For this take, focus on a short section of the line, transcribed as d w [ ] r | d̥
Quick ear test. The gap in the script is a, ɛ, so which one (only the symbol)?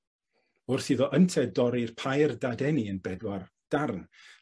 a